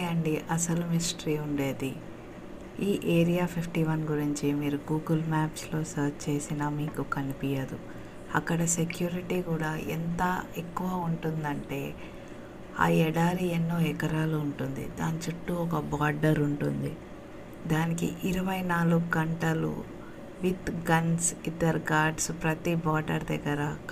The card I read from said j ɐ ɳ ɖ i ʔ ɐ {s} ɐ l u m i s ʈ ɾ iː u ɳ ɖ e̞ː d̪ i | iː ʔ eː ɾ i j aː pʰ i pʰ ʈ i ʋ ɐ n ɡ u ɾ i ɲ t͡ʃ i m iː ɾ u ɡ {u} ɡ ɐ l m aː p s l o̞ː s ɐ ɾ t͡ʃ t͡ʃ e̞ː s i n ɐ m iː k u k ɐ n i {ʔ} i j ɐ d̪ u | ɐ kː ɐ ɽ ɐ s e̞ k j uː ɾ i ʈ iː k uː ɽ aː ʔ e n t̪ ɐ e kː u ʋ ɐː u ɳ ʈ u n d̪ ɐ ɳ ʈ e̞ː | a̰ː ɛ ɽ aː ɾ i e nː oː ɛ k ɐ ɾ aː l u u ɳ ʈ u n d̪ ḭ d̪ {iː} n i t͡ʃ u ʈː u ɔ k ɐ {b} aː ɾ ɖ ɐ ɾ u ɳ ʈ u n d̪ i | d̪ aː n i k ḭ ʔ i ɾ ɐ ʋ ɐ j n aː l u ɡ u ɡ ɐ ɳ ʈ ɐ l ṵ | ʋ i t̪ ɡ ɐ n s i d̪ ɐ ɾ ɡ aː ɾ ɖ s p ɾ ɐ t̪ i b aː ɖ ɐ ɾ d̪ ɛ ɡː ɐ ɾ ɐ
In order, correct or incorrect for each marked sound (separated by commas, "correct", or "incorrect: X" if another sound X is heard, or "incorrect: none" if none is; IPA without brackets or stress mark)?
correct, incorrect: uː, incorrect: p, incorrect: aː, correct